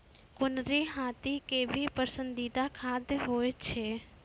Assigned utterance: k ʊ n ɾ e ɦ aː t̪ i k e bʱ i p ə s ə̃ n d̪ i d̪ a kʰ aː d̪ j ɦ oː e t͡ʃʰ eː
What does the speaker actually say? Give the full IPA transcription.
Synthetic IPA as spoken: k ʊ n ɾ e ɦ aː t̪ i k e bʱ i p ə s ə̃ n d̪ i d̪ a kʰ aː d̪ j ɦ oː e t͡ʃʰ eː